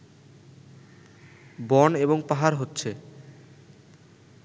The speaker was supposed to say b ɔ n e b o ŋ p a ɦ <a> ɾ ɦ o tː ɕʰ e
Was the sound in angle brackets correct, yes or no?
yes